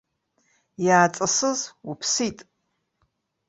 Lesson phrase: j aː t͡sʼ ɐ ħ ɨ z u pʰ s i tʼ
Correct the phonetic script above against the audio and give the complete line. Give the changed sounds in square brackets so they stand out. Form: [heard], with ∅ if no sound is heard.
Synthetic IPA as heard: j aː t͡sʼ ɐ [s] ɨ z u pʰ s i tʼ